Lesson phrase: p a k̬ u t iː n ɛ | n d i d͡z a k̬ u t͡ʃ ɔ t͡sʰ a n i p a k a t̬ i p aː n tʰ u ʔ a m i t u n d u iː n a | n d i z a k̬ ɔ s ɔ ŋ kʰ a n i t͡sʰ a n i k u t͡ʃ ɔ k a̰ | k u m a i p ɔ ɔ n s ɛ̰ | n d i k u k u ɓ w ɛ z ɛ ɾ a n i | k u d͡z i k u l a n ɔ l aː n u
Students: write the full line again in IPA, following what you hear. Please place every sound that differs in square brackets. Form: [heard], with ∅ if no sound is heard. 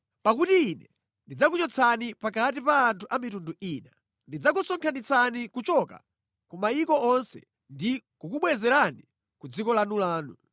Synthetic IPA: p a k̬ u t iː n ɛ | n d i d͡z a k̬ u t͡ʃ ɔ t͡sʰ a n i p a k a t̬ i p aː n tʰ u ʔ a m i t u n d u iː n a | n d i [d͡z] a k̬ [u] s ɔ ŋ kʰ a n i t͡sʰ a n i k u t͡ʃ ɔ k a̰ | k u m a i [k] ɔ ɔ n s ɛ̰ | n d i k u k u ɓ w ɛ z ɛ ɾ a n i | k u d͡z i k [ɔ] l a n [u] l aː n u

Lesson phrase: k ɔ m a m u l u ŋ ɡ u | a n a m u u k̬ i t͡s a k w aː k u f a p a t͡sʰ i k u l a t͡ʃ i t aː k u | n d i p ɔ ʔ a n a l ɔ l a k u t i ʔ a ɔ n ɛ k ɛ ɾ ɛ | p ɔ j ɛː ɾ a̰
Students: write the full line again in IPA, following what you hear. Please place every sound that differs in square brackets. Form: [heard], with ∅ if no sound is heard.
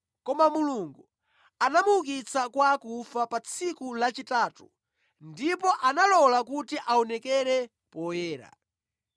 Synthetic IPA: k ɔ m a m u l u ŋ ɡ u | a n a m u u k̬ i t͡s a k w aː k u f a p a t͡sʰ i k u l a t͡ʃ i t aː [t] u | n d i p ɔ ʔ a n a l ɔ l a k u t i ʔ a ɔ n ɛ k ɛ ɾ ɛ | p ɔ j ɛː ɾ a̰

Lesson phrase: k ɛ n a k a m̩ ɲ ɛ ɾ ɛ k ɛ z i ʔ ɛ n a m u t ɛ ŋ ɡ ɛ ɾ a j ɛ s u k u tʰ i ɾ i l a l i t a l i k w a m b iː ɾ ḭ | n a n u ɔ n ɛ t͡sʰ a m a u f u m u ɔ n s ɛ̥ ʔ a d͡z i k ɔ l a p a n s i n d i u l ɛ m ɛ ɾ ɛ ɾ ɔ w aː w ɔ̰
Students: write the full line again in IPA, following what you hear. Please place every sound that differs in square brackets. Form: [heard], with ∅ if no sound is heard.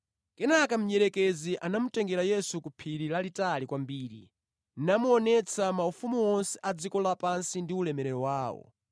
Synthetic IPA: k ɛ n a k a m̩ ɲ ɛ ɾ ɛ k ɛ z i ʔ [a] n a m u t ɛ ŋ ɡ ɛ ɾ a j ɛ s u k u [pʰ] i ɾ i l a l i t a l i k w a m b iː ɾ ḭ | n a [m] u ɔ n ɛ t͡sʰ a m a u f u m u ɔ n s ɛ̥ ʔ a d͡z i k ɔ l a p a n s i n d i u l ɛ m ɛ ɾ ɛ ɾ ɔ w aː w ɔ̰

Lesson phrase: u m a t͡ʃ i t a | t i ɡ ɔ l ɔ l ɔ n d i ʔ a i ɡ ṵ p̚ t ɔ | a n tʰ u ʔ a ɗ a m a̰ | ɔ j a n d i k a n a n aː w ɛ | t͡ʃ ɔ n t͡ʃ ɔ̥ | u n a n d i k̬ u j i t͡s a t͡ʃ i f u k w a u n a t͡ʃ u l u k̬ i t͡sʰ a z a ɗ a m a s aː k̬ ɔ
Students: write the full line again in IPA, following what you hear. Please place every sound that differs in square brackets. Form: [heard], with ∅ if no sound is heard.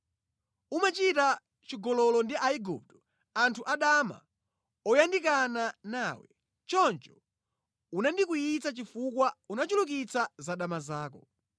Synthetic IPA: u m a t͡ʃ i t a | [t͡ʃ] i ɡ ɔ l ɔ l ɔ n d i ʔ a i ɡ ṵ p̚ t ɔ | a n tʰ u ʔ a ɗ a m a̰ | ɔ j a n d i k a n a n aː w ɛ | t͡ʃ ɔ n t͡ʃ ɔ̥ | u n a n d i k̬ u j i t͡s a t͡ʃ i f u k w a u n a t͡ʃ u l u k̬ i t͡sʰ a z a ɗ a m a [z] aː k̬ ɔ

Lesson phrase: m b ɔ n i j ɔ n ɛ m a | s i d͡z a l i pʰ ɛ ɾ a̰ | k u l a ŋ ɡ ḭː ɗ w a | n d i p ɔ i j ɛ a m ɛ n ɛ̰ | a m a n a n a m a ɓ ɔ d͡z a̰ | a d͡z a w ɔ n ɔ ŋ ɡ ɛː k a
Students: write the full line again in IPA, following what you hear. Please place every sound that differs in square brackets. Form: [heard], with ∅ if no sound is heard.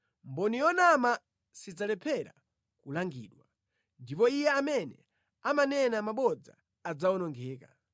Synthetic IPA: m b ɔ n i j ɔ n [a] m a | s i d͡z a l [ɛ] pʰ ɛ ɾ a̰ | k u l a ŋ ɡ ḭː ɗ w a | n d i p ɔ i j ɛ a m ɛ n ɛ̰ | a m a n [ɛ] n a m a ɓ ɔ d͡z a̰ | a d͡z a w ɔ n ɔ ŋ ɡ ɛː k a

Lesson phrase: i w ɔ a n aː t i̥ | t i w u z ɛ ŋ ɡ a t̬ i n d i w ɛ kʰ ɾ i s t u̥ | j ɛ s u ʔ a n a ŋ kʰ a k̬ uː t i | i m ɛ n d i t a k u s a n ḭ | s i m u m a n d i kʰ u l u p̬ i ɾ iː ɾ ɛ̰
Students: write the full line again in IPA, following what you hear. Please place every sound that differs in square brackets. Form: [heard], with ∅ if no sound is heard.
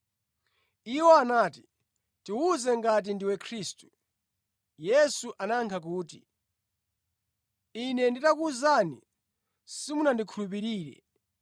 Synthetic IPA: i w ɔ a n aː t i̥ | t i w u z ɛ ŋ ɡ a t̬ i n d i w ɛ kʰ ɾ i s t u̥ | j ɛ s u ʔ a n a ŋ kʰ a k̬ uː t i | i [n] ɛ n d i t a k u [z] a n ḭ | s i m u [n] a n d i kʰ u l u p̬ i ɾ iː ɾ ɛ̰

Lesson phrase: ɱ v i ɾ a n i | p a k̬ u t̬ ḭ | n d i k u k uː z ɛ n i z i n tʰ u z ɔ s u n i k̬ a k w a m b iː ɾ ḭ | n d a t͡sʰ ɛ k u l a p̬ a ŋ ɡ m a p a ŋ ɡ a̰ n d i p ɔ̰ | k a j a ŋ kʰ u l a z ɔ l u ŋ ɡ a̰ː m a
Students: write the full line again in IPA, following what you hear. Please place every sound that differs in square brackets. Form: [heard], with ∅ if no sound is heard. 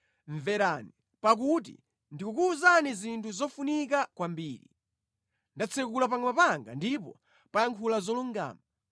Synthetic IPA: ɱ v [ɛ] ɾ a n i | p a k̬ u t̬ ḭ | n d i k u k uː z [a] n i z i n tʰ u z ɔ [f] u n i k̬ a k w a m b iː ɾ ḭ | n d a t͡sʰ ɛ k u l a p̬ a ŋ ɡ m a p a ŋ ɡ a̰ n d i p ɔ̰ | [p] a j a ŋ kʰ u l a z ɔ l u ŋ ɡ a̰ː m a

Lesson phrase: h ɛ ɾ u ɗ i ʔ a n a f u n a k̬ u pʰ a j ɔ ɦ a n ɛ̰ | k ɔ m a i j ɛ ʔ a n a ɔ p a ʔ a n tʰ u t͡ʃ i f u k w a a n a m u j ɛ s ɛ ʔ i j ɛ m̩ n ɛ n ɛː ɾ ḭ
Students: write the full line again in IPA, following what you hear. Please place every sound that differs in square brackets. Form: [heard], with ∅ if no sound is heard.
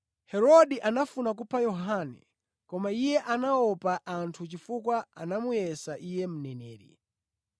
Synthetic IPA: h ɛ ɾ [ɔ] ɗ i ʔ a n a f u n a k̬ u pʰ a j ɔ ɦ a n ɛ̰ | k ɔ m a i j ɛ ʔ a n a ɔ p a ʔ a n tʰ u t͡ʃ i f u k w a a n a m u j ɛ s [a] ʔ i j ɛ m̩ n ɛ n ɛː ɾ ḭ

